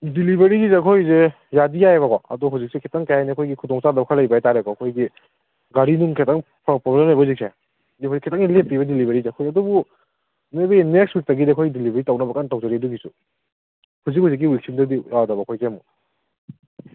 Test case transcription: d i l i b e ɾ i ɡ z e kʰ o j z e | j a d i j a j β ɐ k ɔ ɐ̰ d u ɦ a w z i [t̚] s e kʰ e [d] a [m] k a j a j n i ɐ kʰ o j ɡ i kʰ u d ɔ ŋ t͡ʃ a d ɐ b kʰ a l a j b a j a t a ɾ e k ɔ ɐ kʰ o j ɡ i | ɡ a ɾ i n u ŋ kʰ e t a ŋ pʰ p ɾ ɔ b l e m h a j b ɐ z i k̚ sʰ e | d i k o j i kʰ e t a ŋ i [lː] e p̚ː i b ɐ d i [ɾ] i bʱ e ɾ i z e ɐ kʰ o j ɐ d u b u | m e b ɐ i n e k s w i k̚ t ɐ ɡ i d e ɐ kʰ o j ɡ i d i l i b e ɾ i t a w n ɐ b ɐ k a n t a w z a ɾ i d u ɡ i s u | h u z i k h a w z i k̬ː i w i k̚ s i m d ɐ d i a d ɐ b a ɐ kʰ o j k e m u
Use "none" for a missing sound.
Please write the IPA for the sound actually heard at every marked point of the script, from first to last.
k̚, t, ŋ, l, l

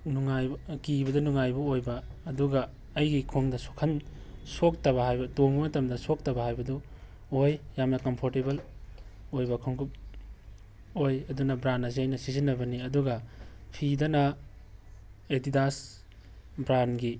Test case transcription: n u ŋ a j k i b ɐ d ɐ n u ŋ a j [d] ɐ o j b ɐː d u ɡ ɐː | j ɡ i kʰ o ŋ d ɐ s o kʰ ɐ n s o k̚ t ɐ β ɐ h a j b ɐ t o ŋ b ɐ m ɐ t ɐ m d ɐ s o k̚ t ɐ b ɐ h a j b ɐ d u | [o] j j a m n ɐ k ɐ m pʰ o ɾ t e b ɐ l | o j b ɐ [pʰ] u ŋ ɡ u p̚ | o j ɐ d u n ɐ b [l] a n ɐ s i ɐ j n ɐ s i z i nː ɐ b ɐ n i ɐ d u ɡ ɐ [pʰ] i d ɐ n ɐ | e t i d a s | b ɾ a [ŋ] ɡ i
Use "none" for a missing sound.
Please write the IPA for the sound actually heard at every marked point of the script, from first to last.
b, o, kʰ, ɾ, pʰ, n

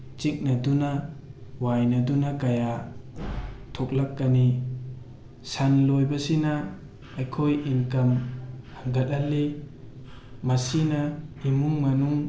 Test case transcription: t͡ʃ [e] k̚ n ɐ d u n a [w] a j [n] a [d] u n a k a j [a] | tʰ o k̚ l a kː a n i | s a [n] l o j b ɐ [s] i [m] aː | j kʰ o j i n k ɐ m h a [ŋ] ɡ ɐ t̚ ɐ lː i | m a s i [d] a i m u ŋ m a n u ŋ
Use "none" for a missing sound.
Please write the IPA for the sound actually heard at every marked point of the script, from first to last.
i, w, n, d, a, n, s, n, ŋ, n

